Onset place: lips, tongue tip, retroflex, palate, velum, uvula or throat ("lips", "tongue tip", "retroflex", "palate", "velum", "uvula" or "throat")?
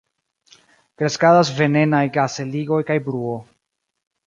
velum